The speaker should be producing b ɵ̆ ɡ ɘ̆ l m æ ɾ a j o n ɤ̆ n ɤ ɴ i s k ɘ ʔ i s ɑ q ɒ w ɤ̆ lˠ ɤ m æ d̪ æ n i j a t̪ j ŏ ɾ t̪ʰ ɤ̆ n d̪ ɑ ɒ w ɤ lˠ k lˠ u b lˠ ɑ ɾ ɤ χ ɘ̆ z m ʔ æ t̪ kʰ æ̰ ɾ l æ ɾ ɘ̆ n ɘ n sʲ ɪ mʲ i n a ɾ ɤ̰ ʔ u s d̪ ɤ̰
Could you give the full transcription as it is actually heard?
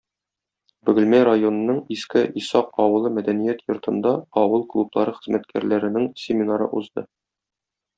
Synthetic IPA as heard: b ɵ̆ ɡ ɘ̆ l m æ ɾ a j o n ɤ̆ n ɤ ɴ i s k ɘ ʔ i s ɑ q ɒ w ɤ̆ lˠ ɤ m æ d̪ æ n i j æ t̪ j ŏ ɾ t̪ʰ ɤ̆ n d̪ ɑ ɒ w ɤ lˠ k lˠ u b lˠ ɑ ɾ ɤ χ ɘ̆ z m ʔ æ t̪ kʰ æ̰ ɾ l æ ɾ ɘ̆ n ɘ ŋ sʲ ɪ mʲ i n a ɾ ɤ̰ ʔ u z d̪ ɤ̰